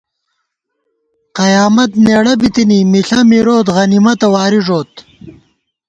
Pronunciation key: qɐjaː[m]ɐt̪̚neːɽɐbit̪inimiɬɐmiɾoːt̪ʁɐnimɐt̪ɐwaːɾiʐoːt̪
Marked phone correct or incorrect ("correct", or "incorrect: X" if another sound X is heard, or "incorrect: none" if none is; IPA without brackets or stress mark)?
correct